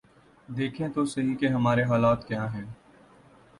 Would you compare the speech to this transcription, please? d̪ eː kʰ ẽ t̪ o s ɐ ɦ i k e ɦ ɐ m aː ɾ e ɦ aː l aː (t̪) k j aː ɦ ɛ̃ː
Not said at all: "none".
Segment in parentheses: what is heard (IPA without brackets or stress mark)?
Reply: t̪